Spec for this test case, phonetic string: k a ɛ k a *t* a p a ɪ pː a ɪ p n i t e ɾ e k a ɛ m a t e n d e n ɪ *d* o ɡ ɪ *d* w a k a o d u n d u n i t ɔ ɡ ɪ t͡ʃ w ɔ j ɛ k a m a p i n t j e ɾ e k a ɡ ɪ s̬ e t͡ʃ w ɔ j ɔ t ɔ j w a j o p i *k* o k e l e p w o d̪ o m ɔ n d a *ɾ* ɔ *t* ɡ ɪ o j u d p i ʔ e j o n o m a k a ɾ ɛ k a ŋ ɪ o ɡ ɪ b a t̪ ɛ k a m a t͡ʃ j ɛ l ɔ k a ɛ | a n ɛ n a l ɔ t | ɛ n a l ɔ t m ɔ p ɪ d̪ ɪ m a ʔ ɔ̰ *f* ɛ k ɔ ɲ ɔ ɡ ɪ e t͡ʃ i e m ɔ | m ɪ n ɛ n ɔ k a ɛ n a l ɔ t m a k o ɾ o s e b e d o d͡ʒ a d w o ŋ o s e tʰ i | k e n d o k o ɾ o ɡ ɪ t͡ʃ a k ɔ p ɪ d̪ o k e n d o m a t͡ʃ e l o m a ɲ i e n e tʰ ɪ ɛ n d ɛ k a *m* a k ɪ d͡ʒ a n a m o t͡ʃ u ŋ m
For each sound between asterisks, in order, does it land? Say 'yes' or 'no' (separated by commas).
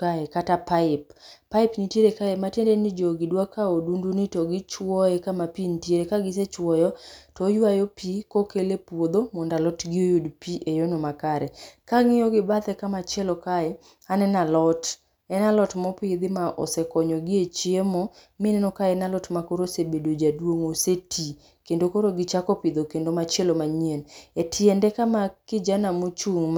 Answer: yes, no, yes, yes, no, yes, no, yes